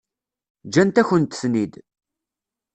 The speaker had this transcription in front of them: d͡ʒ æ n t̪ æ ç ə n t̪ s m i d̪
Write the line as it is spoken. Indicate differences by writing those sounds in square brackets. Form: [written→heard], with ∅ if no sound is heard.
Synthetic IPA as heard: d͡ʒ æ n t̪ æ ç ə n t̪ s [m→n] i d̪